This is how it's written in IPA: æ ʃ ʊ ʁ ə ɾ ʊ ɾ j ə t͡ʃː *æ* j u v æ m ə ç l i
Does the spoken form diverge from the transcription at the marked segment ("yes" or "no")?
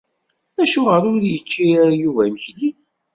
yes